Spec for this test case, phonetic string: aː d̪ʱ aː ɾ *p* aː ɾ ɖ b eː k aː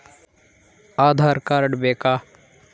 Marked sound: incorrect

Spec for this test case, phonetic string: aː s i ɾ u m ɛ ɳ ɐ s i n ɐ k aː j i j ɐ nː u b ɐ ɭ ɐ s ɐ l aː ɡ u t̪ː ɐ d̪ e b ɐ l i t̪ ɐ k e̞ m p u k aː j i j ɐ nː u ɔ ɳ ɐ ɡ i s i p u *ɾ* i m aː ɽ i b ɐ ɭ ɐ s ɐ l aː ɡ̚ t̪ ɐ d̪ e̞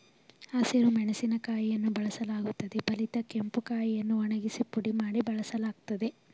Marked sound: incorrect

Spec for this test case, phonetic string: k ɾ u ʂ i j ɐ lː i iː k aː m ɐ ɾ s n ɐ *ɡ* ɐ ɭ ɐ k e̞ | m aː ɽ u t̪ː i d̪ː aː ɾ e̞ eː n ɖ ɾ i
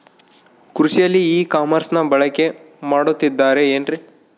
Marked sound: incorrect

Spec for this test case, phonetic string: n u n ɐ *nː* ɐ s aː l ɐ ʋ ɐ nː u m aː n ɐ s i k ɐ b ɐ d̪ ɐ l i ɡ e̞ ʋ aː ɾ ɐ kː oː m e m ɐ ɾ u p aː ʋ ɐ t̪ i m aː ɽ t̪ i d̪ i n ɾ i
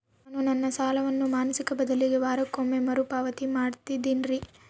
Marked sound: correct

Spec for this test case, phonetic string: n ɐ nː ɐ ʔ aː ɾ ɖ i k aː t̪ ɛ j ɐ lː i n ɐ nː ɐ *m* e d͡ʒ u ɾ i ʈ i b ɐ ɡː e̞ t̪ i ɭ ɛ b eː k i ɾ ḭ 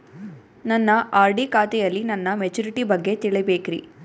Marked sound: correct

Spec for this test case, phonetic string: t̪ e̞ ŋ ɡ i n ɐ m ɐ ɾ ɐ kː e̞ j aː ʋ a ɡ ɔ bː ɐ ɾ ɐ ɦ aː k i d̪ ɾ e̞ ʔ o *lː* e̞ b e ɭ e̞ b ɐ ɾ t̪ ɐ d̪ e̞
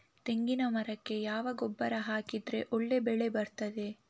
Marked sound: incorrect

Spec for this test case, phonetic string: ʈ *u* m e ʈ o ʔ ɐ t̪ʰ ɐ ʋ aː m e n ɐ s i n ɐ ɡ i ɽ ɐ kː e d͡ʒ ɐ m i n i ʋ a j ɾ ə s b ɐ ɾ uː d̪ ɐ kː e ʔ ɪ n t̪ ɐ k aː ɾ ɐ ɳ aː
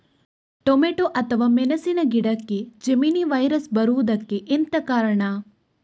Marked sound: incorrect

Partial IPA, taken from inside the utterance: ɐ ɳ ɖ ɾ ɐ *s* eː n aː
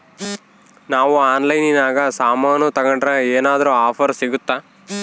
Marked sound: incorrect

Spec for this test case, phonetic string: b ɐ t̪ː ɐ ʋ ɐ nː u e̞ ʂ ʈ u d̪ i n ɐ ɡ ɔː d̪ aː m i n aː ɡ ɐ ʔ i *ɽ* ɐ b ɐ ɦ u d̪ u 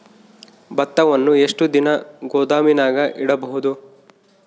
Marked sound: correct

